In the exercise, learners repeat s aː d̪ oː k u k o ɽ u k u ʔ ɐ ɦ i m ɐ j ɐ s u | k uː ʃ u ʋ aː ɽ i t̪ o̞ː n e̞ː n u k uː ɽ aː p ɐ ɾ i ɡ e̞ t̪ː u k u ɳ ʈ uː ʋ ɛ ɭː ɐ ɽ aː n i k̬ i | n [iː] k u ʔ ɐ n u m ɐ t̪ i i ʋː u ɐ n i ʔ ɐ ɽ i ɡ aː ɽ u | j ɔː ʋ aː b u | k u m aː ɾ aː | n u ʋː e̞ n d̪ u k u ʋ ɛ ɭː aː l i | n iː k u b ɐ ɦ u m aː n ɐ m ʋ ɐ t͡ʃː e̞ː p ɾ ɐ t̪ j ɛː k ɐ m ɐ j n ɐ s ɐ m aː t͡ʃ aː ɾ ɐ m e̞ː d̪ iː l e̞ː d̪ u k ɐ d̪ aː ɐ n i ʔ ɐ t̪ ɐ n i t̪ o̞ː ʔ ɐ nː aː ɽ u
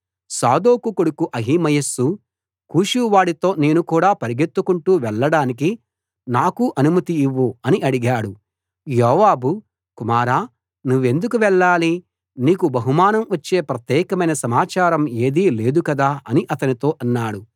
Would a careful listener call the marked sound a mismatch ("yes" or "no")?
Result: yes